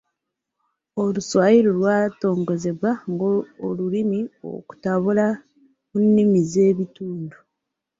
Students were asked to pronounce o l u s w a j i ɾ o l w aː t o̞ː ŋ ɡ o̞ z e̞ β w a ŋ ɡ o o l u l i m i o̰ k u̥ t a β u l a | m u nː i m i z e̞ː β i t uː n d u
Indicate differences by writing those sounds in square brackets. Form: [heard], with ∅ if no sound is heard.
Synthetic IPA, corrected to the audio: o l u s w a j i ɾ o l w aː t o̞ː ŋ ɡ o̞ z e̞ β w a ŋ ɡ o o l u l i m i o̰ k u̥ t a β u l a | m u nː i m i z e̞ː β i t uː n d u

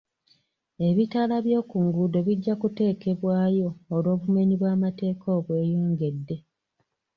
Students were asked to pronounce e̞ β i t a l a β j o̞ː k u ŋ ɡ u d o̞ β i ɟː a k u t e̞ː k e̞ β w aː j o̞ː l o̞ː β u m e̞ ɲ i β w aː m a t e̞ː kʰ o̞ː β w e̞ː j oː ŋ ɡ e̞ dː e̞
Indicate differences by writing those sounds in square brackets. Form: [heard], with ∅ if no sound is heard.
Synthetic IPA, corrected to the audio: e̞ β i t a l a β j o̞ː k u ŋ ɡ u d o̞ β i ɟː a k u t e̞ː k e̞ β w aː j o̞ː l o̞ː β u m e̞ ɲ i β w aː m a t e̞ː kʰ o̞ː β w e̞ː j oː ŋ ɡ e̞ dː e̞

